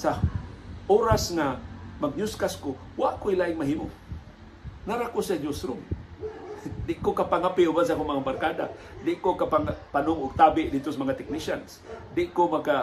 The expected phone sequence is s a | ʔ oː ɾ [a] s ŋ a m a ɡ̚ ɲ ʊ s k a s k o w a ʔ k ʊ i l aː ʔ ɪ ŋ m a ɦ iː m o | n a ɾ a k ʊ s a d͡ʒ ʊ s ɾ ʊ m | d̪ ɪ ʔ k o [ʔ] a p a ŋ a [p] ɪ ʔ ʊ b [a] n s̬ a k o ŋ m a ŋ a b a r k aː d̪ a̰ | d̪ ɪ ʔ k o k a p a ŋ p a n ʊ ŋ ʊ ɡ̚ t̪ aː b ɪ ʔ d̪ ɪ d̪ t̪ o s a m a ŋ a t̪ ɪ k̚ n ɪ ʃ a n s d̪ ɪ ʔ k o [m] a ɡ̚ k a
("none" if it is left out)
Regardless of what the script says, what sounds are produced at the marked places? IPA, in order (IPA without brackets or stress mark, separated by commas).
a, k, p, a, m